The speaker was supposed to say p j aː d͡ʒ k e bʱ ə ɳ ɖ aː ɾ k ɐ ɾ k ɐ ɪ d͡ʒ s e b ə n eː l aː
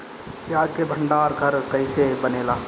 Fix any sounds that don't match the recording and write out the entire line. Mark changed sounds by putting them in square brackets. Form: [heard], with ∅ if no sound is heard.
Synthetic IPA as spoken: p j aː d͡ʒ k e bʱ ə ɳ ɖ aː ɾ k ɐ ɾ k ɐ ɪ [∅] s e b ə n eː l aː